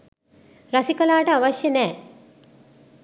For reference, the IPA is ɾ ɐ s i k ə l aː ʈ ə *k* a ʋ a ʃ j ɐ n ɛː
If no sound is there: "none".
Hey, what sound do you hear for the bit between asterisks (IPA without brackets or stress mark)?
none